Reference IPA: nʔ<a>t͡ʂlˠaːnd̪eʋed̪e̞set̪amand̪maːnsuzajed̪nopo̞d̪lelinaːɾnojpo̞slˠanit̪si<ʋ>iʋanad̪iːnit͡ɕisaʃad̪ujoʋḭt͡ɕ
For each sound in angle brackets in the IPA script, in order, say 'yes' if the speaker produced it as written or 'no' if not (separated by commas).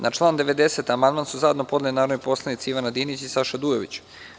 yes, no